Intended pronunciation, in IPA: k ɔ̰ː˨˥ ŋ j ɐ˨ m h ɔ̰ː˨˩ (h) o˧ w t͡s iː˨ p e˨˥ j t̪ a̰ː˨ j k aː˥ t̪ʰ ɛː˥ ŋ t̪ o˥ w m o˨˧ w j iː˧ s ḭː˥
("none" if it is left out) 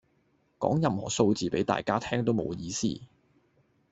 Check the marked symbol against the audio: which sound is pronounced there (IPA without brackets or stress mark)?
s